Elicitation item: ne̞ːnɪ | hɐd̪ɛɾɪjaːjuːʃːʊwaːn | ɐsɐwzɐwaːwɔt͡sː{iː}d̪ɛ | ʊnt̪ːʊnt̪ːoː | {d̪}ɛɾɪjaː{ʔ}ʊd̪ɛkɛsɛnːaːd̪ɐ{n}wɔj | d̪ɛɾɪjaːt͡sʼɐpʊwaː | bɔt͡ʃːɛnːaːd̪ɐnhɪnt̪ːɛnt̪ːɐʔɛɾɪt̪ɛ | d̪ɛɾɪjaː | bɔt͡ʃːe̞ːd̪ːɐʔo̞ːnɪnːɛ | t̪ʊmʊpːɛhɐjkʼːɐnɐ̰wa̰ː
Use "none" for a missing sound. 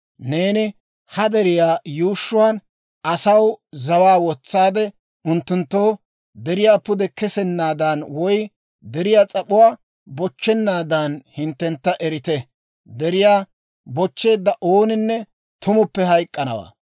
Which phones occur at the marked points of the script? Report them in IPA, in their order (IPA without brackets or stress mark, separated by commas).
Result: aː, d̪, p, n